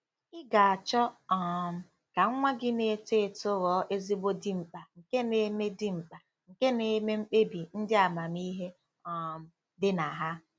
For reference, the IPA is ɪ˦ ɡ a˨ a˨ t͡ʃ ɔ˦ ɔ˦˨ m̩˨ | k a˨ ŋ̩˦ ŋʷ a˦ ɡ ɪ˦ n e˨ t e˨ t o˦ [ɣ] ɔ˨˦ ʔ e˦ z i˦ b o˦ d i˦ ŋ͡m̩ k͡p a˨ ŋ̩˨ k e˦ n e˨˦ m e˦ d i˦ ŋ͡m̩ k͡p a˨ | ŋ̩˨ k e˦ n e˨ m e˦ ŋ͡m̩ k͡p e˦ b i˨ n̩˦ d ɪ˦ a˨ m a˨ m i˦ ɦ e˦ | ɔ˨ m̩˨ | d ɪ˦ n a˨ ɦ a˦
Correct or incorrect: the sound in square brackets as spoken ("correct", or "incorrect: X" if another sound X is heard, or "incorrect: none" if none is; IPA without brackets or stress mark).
correct